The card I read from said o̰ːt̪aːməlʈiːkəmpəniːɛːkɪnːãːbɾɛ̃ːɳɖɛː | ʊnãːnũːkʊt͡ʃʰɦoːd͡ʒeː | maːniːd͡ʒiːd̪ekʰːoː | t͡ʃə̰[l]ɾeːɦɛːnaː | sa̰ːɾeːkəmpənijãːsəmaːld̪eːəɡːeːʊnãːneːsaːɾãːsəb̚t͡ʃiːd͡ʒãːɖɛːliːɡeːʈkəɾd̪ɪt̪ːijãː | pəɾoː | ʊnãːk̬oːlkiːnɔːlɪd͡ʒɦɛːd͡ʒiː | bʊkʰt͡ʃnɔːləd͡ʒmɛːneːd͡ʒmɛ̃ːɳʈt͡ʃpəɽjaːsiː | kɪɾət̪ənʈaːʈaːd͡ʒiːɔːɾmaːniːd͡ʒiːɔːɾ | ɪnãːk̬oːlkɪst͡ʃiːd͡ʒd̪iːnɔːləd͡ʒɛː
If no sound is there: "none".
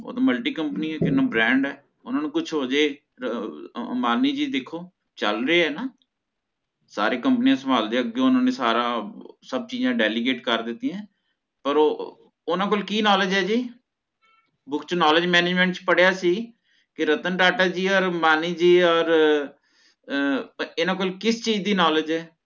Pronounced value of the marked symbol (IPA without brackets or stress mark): l